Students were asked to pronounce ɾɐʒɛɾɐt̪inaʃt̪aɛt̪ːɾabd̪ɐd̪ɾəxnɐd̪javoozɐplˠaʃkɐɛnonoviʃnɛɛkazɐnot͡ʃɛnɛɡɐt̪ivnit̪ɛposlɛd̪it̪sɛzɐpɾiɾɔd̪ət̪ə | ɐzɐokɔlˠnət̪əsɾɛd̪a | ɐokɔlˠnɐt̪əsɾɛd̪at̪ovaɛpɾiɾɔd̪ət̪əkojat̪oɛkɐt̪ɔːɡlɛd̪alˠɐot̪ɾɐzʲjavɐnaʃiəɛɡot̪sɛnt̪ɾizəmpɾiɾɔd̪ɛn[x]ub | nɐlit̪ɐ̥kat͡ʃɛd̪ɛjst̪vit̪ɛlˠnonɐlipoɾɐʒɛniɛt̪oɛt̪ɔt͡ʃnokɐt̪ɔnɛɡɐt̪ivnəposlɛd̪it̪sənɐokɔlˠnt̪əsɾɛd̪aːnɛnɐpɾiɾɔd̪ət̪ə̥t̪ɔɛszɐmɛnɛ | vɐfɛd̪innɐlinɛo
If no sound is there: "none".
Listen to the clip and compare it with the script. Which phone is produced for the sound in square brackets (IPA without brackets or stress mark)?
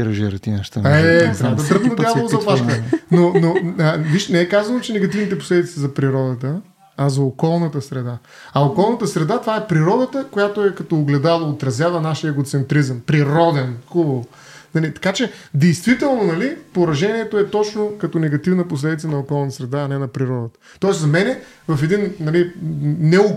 x